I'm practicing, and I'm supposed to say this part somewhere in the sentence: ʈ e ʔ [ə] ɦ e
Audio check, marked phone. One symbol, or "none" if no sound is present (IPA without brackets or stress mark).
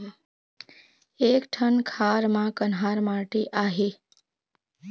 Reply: a